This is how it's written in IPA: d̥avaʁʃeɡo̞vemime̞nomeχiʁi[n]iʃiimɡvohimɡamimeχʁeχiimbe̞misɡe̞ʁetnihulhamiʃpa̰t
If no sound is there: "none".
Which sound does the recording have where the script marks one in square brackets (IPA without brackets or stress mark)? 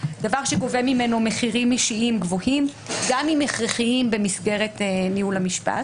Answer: m